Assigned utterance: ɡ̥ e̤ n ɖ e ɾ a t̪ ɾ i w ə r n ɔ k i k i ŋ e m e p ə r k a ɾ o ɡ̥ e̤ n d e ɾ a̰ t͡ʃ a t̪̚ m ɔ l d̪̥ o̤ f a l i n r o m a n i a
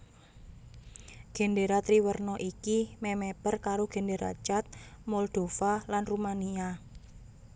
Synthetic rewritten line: ɡ̥ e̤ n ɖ e ɾ a t̪ ɾ i w ə r n ɔ ʔ i k i m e m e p ə r k a ɾ o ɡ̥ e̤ n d e ɾ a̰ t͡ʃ a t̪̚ m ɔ l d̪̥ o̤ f a l a n r u m a n i a